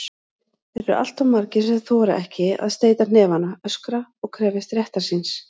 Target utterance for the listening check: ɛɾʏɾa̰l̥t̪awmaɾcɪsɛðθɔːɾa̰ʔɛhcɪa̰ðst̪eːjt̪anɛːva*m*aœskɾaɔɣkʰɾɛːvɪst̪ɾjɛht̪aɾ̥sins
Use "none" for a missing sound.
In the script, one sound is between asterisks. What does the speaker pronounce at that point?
n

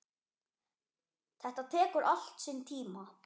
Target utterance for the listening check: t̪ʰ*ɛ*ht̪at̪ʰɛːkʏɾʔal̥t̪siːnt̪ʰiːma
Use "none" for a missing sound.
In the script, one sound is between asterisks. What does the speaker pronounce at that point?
ɛ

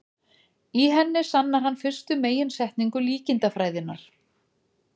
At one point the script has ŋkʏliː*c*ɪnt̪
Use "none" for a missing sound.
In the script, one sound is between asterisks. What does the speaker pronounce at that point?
c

